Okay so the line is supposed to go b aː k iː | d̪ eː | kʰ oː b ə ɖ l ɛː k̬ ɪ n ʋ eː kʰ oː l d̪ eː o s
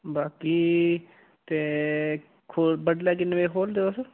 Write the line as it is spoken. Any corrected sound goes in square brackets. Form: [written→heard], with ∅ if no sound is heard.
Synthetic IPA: b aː k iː | [d̪→t̪] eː | kʰ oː b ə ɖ l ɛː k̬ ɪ n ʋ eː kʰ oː l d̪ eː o s